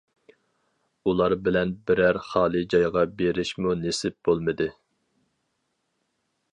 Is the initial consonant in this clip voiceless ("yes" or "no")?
no